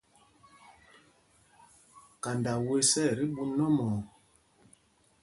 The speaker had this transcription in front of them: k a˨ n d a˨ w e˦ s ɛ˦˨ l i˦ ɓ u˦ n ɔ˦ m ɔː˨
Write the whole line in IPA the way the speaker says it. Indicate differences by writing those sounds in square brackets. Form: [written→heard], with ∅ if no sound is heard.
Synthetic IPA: k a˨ n d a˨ w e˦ s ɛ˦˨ [l→ɾ] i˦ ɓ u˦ n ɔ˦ m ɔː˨